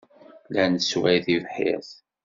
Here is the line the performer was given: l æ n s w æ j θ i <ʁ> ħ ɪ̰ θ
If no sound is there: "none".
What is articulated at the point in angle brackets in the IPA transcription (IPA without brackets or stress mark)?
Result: v